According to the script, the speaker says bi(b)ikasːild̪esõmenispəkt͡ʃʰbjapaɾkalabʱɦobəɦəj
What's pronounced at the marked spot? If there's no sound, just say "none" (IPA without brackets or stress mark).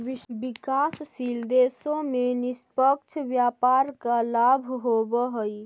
b